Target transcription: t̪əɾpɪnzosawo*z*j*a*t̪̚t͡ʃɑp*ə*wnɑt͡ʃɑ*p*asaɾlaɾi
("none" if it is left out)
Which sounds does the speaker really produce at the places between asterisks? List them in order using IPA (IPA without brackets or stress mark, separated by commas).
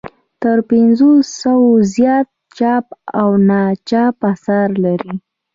z, ɑ, a, p